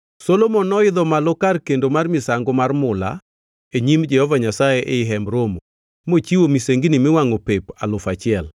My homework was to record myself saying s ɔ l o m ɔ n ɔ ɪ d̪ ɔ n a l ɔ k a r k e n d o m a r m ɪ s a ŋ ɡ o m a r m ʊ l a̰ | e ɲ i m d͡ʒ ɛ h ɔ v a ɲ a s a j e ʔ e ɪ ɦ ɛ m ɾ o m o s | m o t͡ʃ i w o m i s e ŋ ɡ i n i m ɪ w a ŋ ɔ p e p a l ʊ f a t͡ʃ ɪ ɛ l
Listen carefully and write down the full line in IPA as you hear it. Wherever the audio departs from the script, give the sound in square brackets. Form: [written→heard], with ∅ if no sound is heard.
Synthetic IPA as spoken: s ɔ l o m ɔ n ɔ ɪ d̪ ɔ [n→m] a l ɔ k a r k e n d o m a r m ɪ s a ŋ ɡ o m a r m ʊ l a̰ | e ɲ i m d͡ʒ ɛ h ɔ v a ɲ a s a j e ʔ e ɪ ɦ ɛ m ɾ o m o [s→∅] | m o t͡ʃ i w o m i s e ŋ ɡ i n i m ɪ w a ŋ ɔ p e p a l ʊ f a t͡ʃ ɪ ɛ l